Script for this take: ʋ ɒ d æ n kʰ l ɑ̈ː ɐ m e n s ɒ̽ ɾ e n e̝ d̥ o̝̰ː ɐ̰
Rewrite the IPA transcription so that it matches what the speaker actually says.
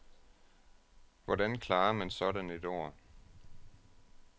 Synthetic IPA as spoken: ʋ ɒ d æ n kʰ l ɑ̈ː ɐ m æ n s ɒ̽ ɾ æ n e̝ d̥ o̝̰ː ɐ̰